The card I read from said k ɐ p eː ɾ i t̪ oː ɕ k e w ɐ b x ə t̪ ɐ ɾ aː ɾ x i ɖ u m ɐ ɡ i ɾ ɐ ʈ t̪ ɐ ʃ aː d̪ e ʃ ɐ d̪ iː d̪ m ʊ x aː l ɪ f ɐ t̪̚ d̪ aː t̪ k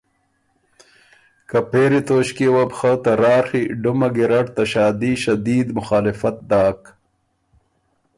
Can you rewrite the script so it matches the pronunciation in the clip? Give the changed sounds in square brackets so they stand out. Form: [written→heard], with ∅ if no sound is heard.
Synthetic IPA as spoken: k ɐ p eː ɾ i t̪ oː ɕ k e w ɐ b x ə t̪ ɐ ɾ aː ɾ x i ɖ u m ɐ ɡ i ɾ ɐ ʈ t̪ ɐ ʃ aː d̪ [e→i] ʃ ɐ d̪ iː d̪ m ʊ x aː l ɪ f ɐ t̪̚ d̪ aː [t̪→∅] k